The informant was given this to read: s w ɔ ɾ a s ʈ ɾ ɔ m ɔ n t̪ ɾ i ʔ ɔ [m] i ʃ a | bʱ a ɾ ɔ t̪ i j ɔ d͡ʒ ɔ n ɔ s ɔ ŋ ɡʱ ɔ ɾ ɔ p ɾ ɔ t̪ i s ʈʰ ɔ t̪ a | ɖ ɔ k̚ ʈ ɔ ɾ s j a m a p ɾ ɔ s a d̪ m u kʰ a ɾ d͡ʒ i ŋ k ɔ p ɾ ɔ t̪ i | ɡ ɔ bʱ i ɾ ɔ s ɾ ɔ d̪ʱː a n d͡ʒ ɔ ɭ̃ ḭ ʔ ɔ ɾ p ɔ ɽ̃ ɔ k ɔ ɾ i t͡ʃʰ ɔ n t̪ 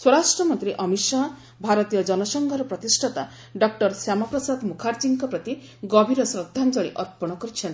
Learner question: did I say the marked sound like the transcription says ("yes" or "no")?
yes